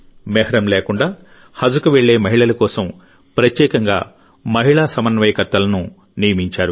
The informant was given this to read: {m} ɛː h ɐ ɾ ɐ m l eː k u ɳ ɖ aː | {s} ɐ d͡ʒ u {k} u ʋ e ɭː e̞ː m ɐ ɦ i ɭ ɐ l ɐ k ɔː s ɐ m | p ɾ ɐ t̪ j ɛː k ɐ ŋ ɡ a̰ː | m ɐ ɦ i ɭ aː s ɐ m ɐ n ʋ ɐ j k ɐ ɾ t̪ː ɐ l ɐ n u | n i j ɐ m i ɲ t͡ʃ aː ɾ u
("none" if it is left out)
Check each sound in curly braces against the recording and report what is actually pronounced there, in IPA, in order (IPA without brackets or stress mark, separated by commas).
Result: m, h, k